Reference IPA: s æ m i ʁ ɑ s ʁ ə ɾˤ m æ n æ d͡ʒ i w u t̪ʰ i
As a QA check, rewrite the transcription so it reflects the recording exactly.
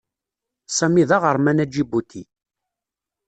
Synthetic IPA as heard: s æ m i ð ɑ ʁ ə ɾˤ m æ n æ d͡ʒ i b u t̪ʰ i